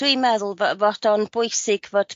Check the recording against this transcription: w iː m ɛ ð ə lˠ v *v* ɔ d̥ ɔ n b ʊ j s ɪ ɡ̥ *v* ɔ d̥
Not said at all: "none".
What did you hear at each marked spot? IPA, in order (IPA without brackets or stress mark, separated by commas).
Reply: v, v